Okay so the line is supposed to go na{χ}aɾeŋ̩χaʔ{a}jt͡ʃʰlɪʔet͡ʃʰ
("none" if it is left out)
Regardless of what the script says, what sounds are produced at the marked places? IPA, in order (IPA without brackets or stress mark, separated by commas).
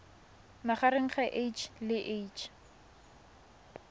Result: χ, e